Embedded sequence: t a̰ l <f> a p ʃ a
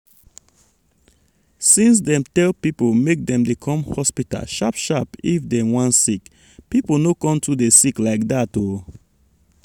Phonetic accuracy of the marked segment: incorrect: ʃ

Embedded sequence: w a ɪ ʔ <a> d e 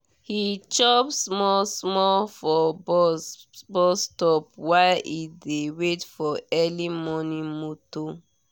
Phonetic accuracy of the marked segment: incorrect: i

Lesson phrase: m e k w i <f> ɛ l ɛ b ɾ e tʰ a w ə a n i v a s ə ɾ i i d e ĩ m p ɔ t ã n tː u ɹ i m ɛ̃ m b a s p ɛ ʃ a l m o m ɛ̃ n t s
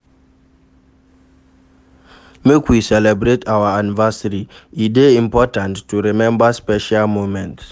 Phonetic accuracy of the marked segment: incorrect: s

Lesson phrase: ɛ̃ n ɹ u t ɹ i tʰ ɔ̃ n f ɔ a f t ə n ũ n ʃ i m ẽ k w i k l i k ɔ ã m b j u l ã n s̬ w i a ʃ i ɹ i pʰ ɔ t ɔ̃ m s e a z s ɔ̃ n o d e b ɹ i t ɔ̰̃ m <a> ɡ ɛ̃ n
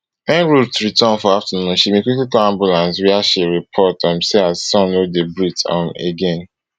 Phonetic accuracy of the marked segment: incorrect: e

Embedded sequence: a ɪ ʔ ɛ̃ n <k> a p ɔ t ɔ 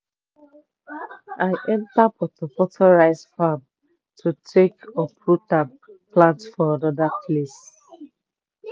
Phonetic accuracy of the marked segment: incorrect: t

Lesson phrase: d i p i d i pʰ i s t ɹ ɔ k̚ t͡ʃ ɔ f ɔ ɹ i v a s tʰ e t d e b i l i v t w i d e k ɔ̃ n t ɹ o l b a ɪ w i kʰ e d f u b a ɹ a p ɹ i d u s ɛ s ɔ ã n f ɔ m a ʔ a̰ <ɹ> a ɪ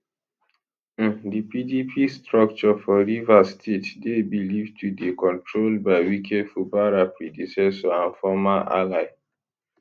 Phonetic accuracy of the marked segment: incorrect: l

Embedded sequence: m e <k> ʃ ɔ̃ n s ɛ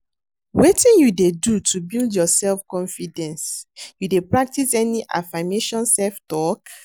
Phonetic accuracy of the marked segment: incorrect: none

